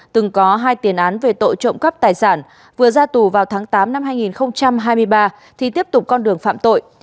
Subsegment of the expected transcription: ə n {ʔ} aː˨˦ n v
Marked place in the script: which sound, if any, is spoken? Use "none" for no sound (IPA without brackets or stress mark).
ʔ